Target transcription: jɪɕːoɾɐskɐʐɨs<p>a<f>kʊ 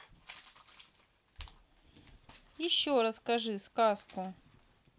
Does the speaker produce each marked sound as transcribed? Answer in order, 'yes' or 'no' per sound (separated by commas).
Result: no, no